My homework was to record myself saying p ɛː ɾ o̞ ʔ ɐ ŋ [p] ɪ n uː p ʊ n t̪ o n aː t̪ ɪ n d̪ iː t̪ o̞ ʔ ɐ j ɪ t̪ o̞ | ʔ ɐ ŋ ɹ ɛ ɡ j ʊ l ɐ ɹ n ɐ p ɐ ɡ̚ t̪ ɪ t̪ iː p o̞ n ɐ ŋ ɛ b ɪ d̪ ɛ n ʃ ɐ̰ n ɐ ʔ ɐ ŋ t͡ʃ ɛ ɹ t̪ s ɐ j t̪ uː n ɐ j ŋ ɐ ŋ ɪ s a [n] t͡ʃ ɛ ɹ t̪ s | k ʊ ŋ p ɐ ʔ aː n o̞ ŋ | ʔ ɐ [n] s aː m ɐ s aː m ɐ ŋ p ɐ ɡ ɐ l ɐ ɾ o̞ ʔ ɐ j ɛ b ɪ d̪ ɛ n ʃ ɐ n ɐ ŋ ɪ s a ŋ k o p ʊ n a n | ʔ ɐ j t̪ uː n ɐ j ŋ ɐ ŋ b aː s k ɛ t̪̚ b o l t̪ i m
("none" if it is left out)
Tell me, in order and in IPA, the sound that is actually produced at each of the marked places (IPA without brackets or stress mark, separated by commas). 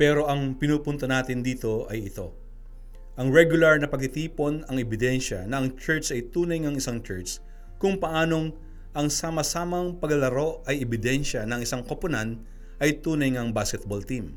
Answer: p, ŋ, ŋ